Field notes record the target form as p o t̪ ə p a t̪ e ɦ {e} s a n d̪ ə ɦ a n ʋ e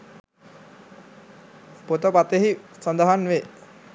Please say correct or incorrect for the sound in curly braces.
incorrect